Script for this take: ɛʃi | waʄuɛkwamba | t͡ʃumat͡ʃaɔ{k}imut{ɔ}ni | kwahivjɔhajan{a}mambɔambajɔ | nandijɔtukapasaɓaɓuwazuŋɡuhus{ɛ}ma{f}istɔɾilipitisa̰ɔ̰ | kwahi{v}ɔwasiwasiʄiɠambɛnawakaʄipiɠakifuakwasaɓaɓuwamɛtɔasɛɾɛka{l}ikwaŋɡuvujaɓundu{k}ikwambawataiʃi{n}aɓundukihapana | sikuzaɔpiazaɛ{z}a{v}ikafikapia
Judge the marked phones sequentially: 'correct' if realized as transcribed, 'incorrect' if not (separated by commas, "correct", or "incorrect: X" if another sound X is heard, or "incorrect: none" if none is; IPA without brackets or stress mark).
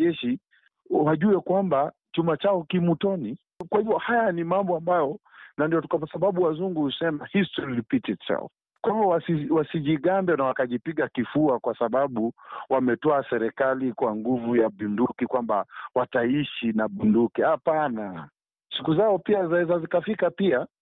correct, correct, incorrect: i, correct, incorrect: h, correct, correct, correct, correct, correct, incorrect: z